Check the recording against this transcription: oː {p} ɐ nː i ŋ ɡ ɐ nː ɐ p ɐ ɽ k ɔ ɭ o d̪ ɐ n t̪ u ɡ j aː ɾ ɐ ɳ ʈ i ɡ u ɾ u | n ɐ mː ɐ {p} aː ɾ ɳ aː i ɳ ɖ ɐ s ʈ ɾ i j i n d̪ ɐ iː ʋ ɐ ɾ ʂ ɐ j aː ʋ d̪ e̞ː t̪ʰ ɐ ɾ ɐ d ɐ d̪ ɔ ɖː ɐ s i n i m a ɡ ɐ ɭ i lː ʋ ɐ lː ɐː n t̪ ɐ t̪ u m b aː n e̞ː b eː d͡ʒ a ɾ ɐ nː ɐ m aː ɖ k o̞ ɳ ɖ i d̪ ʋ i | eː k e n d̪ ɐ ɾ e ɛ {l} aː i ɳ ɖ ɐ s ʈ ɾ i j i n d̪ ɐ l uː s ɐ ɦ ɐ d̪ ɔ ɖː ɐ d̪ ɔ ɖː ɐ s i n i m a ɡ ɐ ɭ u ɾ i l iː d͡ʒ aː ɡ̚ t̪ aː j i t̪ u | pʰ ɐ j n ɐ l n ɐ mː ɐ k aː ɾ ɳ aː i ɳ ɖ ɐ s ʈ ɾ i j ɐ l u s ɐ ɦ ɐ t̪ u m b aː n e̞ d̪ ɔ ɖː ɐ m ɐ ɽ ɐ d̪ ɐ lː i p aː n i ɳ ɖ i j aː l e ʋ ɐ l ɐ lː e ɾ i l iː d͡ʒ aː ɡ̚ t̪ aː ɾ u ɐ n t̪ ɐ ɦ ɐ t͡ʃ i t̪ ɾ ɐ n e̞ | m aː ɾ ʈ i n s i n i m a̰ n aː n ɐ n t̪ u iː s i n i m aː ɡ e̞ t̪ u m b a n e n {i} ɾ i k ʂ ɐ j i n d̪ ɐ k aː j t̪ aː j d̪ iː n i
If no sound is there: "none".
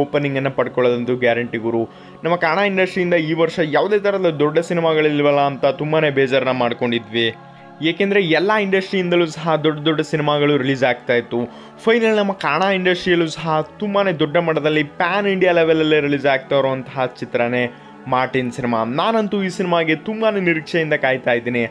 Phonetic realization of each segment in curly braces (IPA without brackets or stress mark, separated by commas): p, k, lː, i